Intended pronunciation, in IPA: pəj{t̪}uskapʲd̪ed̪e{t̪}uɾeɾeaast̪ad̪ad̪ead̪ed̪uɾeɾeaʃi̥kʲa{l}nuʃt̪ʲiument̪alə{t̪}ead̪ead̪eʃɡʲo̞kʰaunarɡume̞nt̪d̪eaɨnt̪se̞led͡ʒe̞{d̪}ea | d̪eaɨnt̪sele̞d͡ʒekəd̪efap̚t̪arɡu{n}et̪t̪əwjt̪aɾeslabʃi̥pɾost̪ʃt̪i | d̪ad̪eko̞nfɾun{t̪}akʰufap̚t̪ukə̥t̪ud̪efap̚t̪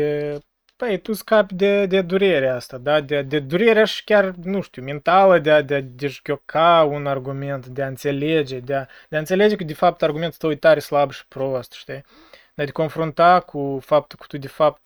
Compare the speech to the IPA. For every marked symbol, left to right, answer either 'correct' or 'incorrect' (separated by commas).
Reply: correct, incorrect, incorrect, incorrect, correct, incorrect, correct